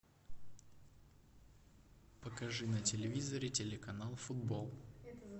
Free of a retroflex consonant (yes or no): no